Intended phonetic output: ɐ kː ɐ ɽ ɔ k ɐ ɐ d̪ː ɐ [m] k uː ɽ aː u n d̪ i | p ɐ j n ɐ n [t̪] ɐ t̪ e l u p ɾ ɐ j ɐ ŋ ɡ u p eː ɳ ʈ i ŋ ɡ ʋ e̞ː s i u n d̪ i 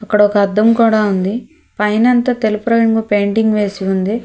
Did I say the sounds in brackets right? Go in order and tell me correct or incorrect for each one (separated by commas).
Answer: correct, correct